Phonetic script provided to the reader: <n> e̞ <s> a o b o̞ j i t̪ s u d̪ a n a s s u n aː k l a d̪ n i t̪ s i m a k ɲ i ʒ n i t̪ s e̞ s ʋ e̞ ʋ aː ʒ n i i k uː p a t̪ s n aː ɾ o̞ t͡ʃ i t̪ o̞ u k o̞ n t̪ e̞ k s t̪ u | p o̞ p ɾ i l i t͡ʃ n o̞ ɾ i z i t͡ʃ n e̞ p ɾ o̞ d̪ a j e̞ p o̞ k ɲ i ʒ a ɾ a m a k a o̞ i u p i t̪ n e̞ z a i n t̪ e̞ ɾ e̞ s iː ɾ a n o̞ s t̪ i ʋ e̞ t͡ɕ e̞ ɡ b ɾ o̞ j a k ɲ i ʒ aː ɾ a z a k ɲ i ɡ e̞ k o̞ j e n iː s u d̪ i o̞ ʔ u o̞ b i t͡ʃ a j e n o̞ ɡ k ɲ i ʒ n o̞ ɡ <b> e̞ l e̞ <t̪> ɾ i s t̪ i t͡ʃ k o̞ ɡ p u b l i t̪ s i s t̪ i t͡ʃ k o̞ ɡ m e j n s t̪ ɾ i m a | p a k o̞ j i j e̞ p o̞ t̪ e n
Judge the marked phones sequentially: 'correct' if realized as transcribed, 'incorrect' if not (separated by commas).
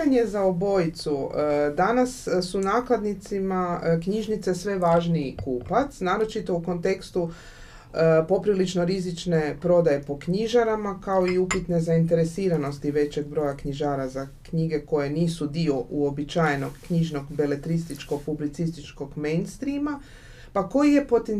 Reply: incorrect, incorrect, correct, correct